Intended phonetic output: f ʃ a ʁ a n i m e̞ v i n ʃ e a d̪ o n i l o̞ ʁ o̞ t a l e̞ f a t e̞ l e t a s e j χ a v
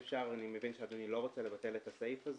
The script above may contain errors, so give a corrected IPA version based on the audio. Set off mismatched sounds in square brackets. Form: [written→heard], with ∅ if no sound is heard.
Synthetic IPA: f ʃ a ʁ a n i m e̞ v i n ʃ e a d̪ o n i l o̞ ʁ o̞ [t→t͡s] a l e̞ [f→v] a t e̞ l e t a s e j [χ→f] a [v→z]